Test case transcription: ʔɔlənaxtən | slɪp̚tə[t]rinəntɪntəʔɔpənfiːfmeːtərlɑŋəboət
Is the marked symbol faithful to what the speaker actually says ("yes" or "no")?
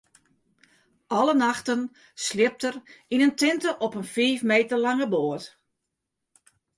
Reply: no